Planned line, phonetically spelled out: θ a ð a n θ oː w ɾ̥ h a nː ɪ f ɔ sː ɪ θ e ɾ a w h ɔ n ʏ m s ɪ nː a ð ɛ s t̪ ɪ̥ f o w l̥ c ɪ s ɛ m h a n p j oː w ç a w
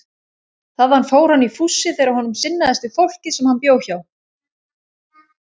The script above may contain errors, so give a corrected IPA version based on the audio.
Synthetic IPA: θ a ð a n f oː w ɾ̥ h a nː i f u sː ɪ θ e ɾ a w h ɔ n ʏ m s ɪ nː a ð ɛ s t̪ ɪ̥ f o w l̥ c ɪ s ɛ m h a n p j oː w ç a w

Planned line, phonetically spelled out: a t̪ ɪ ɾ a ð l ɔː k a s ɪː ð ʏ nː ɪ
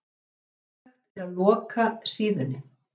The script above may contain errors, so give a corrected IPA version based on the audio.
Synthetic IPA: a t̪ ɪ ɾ a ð l ɔː k a s iː ð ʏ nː ɪ

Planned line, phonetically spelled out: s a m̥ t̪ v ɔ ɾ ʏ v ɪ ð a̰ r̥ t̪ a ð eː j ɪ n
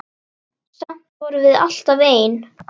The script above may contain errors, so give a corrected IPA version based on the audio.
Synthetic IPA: s a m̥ t̪ v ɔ ɾ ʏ v ɪ ð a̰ l̥ t̪ a v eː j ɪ n

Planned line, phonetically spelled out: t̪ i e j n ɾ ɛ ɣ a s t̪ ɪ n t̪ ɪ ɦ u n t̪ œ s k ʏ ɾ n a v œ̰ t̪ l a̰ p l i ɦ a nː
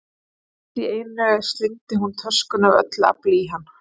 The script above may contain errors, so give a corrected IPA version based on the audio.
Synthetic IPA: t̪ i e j n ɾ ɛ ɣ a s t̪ ɪ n t̪ ɪ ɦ u n t̪ʰ œ s k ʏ n a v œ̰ t̪ l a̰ p l i ɦ a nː

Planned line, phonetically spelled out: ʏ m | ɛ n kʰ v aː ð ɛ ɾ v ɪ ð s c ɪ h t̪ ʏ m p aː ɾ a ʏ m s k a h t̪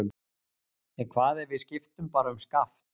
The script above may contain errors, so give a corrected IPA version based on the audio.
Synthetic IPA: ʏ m | ɛ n kʰ v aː ð ɛ ɾ v ɪ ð s c ɪ f t̪ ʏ m p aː ɾ a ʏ m s k a f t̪

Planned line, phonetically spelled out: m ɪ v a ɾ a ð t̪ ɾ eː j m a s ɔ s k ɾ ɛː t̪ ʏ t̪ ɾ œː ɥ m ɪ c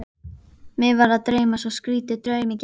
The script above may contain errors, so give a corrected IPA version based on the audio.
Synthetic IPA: m ɪ v a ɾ a ð t̪ ɾ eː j m a s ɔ s k ɾ iː t̪ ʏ t̪ ɾ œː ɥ m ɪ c

